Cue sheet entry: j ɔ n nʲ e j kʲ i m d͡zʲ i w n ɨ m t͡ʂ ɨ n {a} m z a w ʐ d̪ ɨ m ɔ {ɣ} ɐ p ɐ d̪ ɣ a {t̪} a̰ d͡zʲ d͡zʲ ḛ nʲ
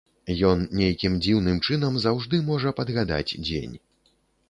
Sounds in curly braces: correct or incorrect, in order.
incorrect, incorrect, incorrect

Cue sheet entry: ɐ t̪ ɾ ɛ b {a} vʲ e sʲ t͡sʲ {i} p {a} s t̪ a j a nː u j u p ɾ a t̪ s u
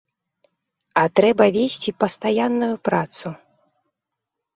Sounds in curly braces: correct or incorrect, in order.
incorrect, correct, incorrect

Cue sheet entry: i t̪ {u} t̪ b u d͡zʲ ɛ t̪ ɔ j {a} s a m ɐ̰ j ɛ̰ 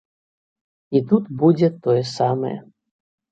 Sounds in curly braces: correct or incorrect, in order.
correct, incorrect

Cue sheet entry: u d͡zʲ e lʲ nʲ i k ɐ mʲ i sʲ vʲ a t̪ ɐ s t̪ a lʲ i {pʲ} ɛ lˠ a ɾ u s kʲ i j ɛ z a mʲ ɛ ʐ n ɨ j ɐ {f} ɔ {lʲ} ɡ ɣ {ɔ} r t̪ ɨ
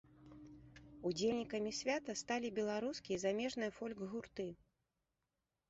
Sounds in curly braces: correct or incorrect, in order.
incorrect, correct, correct, incorrect

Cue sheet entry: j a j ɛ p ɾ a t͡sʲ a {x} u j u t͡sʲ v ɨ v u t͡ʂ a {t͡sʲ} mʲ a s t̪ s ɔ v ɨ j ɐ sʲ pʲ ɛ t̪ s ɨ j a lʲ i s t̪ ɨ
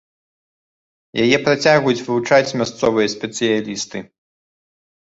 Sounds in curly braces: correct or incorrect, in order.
incorrect, correct

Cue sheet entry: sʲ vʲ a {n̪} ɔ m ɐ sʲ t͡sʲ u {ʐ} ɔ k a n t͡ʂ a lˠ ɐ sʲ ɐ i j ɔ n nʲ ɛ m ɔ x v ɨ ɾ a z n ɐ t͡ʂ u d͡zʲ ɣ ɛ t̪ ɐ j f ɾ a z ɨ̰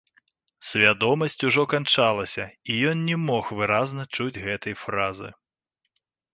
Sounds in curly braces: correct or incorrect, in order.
incorrect, correct

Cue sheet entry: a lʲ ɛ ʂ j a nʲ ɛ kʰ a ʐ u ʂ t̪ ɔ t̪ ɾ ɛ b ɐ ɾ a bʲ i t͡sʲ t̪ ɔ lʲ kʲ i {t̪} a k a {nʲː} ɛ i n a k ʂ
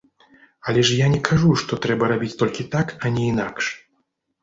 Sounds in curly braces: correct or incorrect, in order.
correct, incorrect

